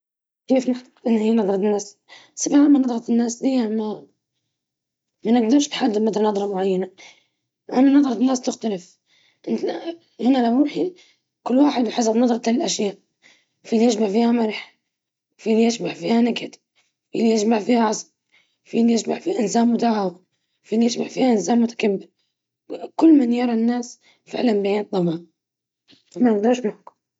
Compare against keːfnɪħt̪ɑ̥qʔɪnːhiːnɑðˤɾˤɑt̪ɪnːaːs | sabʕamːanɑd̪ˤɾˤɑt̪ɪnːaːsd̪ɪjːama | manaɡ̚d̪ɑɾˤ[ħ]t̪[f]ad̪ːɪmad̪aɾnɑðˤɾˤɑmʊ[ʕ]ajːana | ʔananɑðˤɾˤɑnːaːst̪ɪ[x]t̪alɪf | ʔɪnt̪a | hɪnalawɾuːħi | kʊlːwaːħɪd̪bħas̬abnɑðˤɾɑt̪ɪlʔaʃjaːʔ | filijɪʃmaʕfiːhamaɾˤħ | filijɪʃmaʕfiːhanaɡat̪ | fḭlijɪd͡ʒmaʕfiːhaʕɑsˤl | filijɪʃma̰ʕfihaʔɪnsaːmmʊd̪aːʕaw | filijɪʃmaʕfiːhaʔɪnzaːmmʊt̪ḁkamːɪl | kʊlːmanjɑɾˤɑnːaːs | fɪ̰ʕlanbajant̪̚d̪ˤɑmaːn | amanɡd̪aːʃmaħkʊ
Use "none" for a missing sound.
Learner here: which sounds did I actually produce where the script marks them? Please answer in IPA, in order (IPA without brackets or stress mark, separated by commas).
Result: ʃ, ħ, ʕ, x